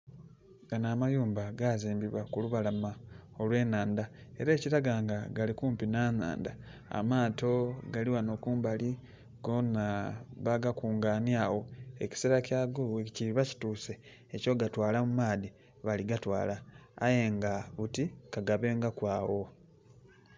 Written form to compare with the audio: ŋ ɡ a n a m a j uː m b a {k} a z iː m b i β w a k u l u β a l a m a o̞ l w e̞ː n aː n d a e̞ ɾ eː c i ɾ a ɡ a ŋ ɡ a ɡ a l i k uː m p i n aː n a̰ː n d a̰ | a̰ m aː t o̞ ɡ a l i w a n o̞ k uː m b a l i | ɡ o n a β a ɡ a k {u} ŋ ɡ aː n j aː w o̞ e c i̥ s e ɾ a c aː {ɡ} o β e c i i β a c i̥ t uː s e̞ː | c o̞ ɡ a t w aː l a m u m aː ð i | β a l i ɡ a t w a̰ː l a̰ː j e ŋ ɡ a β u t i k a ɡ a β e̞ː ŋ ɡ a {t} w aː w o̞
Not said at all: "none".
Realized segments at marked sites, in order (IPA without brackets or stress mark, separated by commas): ɡ, uː, ɡ, k